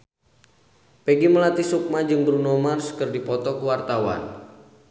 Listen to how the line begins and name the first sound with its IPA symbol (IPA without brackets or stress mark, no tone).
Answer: p